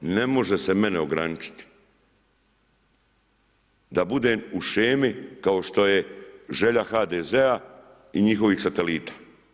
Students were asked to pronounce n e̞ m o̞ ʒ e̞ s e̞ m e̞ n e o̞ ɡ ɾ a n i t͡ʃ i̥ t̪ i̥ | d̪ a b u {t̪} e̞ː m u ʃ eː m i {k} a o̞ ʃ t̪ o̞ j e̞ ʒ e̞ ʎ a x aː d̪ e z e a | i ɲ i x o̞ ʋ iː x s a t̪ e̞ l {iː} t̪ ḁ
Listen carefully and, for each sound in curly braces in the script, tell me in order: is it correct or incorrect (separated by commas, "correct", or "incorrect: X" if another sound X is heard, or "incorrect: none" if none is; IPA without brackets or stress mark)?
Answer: incorrect: d̪, correct, correct